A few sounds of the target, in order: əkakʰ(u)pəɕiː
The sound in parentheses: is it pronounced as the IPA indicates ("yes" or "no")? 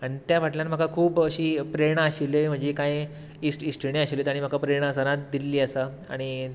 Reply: no